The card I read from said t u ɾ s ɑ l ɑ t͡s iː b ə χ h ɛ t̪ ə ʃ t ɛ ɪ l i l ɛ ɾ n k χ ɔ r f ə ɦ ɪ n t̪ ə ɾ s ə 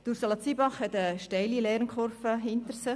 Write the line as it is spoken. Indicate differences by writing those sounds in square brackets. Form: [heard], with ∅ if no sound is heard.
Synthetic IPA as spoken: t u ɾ s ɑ l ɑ t͡s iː b [ɑ] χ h ɛ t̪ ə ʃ t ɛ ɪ l i l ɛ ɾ n k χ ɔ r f ə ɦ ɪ n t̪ ə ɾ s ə